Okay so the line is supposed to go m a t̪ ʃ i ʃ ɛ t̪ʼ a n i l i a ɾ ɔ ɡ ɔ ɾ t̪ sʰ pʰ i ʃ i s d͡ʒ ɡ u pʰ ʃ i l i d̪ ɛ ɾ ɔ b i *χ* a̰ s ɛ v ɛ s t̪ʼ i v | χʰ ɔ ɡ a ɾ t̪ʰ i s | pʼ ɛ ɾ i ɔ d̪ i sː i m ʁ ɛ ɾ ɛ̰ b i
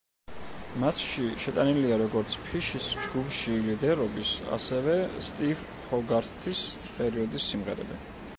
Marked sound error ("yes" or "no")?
yes